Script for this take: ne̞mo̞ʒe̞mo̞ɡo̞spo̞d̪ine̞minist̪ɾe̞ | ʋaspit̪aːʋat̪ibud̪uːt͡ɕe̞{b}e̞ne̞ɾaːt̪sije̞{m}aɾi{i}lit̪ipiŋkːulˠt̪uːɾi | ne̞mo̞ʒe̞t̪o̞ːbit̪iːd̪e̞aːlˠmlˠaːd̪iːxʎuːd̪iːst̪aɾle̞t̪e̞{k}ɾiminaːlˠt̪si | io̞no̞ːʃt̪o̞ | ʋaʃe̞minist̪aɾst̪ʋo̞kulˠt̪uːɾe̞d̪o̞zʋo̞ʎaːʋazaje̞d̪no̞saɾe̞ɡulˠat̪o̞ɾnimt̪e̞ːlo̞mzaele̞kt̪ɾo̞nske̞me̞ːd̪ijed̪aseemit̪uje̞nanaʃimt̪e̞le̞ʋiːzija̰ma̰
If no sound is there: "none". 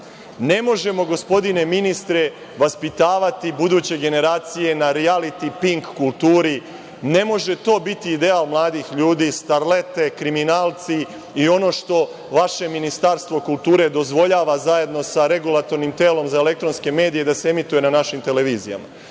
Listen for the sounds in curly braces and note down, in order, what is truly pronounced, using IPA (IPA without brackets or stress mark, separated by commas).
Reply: ɡ, n, a, k